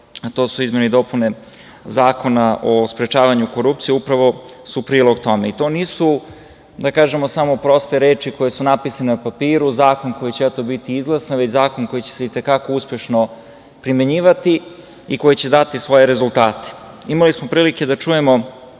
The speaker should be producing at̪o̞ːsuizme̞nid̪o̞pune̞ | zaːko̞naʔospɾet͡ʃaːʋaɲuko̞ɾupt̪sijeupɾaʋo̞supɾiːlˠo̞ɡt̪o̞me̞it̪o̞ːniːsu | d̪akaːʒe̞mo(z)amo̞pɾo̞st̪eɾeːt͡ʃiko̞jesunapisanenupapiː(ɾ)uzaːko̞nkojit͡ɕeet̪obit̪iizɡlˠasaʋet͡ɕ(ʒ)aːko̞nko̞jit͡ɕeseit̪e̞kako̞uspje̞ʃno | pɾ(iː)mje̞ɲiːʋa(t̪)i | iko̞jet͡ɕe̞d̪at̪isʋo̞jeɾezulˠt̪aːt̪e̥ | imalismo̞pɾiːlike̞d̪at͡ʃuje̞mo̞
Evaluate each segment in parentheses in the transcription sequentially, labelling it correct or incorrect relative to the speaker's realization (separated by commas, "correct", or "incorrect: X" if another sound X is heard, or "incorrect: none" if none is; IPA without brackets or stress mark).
incorrect: s, correct, incorrect: z, incorrect: i, correct